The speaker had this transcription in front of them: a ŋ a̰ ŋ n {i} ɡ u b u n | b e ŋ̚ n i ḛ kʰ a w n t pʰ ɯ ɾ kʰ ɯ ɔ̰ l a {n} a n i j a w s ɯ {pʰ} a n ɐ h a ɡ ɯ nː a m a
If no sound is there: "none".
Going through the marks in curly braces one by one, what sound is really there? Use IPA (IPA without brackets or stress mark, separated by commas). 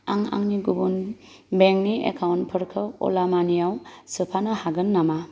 i, m, pʰ